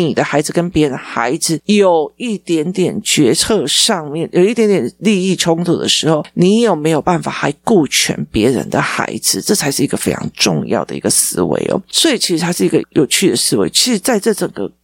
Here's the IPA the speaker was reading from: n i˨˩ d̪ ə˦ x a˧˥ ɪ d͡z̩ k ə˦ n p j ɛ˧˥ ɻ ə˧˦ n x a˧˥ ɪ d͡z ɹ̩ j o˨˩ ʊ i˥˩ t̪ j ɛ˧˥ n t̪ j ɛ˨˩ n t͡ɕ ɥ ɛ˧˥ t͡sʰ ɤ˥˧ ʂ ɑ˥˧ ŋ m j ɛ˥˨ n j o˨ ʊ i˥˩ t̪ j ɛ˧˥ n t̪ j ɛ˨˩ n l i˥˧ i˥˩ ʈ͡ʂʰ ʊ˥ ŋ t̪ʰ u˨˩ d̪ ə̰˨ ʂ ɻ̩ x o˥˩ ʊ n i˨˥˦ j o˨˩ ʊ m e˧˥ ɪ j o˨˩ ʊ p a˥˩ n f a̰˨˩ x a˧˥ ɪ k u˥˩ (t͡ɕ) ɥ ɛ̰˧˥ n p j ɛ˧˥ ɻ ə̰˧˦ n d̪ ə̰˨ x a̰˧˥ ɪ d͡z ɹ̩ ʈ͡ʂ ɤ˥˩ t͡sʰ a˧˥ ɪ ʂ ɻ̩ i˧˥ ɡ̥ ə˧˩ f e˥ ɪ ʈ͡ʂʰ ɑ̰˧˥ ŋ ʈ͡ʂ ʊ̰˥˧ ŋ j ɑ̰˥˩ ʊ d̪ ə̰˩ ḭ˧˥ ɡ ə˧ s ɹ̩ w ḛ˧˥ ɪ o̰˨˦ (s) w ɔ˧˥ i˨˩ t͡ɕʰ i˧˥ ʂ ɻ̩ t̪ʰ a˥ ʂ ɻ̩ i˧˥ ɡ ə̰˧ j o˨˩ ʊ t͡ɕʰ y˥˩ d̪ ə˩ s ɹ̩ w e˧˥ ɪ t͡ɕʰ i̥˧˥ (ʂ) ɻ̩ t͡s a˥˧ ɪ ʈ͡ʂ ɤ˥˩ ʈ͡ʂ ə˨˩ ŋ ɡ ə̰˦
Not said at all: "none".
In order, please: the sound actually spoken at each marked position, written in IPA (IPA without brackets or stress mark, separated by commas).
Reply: t͡ɕʰ, s, ʂ